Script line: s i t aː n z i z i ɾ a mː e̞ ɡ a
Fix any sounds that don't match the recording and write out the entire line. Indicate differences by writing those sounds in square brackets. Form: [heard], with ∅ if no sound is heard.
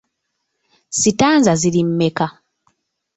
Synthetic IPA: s i t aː n z [a] z i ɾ [i] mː e̞ [k] a